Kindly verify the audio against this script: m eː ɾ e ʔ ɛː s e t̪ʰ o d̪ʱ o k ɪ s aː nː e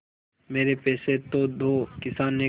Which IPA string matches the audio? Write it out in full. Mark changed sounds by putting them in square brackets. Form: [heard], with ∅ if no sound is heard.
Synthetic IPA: m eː ɾ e [p] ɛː s e [t̪] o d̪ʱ o k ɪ s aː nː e